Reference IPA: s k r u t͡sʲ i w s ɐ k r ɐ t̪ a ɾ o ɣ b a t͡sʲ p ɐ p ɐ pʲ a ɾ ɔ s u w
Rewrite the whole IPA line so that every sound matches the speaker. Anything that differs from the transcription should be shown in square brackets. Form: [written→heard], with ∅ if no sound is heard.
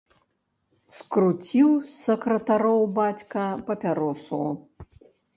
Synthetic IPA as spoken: s k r u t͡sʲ i w s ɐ k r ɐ t̪ a ɾ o [ɣ→w] b a t͡sʲ [p→k] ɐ p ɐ pʲ a ɾ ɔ s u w